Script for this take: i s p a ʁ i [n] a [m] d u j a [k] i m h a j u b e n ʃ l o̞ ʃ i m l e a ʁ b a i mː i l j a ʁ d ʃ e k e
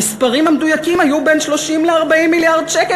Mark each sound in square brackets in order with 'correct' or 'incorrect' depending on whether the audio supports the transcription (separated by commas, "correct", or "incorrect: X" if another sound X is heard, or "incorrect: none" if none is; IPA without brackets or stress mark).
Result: incorrect: m, correct, correct